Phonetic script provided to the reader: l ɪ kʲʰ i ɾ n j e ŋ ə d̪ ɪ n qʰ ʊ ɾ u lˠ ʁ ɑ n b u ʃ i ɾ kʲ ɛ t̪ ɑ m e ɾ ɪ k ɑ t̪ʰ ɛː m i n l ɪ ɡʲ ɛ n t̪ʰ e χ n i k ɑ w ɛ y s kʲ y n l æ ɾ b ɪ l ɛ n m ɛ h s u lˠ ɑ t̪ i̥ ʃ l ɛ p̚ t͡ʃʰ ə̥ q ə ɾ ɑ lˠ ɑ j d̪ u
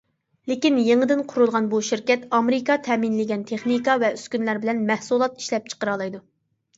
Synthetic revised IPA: l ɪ kʲ i n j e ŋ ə d̪ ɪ n qʰ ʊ ɾ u lˠ ʁ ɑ n b u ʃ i ɾ kʲ ɛ t̪ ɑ m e ɾ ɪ k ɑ t̪ʰ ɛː m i n l ɪ ɡʲ ɛ n t̪ʰ e χ n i k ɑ v ɛ y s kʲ y n l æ ɾ b ɪ l ɛ n m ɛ h s u lˠ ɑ t̪ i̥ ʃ l ɛ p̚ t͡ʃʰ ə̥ q ə ɾ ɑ lˠ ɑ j d̪ u